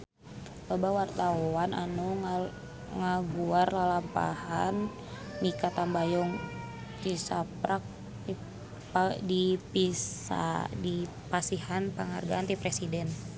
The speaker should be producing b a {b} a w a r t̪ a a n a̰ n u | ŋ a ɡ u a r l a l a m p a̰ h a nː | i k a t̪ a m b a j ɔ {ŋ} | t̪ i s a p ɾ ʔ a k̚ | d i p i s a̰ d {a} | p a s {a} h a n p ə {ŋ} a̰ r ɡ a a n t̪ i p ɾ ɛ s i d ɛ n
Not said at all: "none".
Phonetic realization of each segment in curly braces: b, ŋ, i, i, ŋ

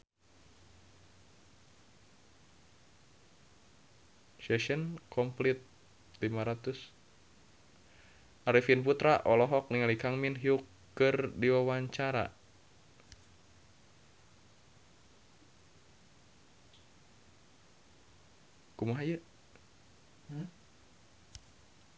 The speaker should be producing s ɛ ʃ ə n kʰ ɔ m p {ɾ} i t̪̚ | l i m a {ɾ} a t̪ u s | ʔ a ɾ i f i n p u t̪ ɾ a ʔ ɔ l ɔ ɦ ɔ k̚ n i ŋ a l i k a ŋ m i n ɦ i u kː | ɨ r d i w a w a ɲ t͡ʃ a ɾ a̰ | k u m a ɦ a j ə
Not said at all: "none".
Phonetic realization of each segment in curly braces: l, ɾ

